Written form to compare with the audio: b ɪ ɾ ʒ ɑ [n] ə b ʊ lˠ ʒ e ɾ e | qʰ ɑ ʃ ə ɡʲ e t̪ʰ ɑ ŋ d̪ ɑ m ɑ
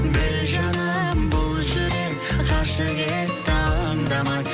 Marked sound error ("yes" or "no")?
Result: no